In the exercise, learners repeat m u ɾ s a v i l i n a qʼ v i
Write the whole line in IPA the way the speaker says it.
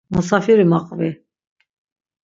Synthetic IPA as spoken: m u s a f i ɾ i m a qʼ v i